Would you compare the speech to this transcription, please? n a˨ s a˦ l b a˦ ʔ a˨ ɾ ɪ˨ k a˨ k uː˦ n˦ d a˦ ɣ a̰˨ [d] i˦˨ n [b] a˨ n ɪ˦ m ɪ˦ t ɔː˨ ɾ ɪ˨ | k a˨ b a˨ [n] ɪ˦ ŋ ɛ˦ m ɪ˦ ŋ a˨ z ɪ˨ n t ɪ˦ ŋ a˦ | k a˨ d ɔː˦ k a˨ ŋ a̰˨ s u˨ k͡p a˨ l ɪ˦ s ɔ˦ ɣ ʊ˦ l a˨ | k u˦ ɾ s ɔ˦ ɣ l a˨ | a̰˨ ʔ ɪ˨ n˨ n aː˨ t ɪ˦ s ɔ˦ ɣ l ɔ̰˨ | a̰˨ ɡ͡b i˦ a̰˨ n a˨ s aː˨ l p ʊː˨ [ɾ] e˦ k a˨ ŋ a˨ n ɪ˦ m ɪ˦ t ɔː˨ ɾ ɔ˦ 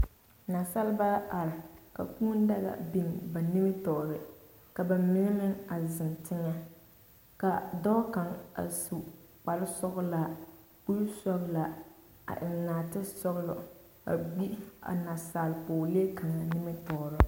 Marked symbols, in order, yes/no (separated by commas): no, yes, no, no